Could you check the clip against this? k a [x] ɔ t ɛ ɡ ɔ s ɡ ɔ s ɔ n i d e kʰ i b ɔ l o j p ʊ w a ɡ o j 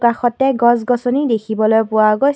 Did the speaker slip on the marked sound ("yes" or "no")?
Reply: no